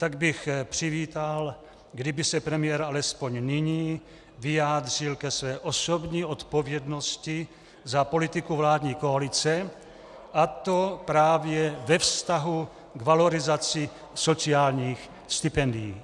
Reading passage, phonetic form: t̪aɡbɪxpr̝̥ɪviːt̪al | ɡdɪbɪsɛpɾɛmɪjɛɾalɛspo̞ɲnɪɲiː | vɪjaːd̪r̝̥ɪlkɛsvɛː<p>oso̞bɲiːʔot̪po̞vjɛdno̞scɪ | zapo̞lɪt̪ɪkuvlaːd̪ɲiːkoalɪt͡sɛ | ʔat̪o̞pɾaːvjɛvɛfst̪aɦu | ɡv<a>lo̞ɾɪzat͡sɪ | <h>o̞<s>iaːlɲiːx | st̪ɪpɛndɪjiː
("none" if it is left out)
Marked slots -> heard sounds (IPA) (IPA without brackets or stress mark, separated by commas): ʔ, a, s, t͡s